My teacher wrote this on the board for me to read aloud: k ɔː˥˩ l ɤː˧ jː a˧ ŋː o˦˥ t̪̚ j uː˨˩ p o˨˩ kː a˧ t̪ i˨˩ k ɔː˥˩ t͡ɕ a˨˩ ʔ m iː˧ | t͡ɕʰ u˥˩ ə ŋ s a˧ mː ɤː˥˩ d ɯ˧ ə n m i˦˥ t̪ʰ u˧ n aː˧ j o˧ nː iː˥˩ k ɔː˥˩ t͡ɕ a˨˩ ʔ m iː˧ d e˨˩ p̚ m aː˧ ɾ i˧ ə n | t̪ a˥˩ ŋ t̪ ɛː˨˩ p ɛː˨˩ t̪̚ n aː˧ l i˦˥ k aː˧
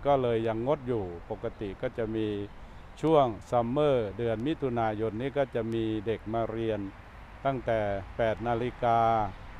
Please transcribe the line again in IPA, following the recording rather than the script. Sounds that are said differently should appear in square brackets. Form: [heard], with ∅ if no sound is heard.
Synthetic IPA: k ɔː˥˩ l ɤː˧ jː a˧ ŋː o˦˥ t̪̚ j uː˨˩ p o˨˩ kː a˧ t̪ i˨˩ k ɔː˥˩ t͡ɕ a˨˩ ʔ m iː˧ | t͡ɕʰ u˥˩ ə ŋ s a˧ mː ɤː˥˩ d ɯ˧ ə n m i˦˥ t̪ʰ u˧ n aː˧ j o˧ nː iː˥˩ k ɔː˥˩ t͡ɕ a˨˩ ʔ m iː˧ d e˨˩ [k̚] m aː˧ ɾ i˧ ə n | t̪ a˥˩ ŋ t̪ ɛː˨˩ p ɛː˨˩ t̪̚ n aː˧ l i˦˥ k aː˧